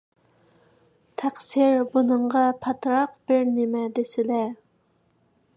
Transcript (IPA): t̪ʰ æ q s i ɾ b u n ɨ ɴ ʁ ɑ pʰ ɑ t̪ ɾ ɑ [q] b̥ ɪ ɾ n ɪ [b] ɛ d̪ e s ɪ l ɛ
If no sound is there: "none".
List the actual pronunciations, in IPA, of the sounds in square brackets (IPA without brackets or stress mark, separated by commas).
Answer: q, m